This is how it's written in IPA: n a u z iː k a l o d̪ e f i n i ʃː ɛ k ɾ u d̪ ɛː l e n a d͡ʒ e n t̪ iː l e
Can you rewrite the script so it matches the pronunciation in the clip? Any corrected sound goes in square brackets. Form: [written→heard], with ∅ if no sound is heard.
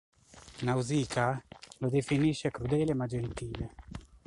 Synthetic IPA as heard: n a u z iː k a l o d̪ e f i n i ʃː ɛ k ɾ u d̪ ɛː l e [n→m] a d͡ʒ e n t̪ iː l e